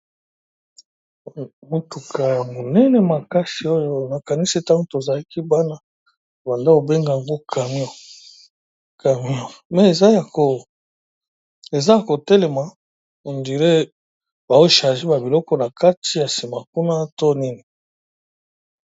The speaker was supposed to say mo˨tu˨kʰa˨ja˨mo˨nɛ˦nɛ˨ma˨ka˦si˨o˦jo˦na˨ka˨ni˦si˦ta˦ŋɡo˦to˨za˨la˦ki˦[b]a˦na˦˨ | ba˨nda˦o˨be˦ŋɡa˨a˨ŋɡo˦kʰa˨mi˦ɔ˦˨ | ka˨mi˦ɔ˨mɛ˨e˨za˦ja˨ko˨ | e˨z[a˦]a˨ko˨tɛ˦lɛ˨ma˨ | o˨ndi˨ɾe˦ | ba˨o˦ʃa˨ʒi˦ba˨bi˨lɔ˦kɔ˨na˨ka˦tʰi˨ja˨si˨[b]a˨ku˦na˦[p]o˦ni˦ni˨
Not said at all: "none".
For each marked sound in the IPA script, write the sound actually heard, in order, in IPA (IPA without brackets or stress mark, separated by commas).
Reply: b, a˦, m, t